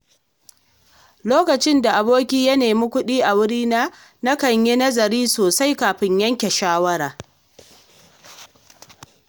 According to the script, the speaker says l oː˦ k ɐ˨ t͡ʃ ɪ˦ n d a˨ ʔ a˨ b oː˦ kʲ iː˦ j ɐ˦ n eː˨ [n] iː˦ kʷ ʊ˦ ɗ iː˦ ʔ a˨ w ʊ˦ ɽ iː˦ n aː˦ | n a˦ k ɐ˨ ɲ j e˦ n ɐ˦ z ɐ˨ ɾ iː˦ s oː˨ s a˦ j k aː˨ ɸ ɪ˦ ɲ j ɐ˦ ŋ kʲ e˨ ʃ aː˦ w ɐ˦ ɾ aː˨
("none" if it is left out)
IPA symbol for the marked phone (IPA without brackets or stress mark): m